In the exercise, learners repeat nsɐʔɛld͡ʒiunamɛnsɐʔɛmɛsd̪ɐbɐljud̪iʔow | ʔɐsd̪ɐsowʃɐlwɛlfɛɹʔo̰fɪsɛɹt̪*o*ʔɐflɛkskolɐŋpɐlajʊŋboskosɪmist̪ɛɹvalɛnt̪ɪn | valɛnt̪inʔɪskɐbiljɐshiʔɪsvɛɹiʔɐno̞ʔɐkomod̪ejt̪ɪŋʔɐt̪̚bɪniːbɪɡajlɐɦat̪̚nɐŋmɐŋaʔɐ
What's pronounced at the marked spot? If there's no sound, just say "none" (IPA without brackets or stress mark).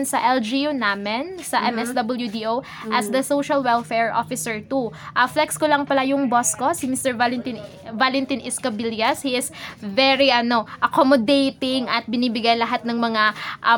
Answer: u